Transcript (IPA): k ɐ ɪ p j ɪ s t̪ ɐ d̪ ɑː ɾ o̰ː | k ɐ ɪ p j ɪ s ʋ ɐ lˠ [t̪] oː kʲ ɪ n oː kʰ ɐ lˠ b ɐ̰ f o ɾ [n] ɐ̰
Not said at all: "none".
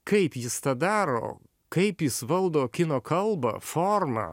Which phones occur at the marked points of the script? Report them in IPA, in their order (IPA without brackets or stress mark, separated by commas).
d̪, m